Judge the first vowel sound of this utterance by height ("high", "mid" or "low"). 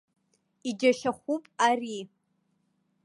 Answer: high